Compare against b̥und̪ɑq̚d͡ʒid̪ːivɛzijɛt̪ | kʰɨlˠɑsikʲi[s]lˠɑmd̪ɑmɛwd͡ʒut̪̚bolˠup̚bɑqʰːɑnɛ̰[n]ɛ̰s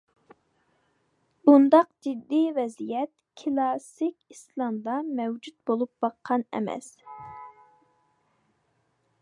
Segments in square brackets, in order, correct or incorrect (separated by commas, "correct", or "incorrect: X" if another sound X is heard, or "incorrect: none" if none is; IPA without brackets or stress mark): correct, incorrect: m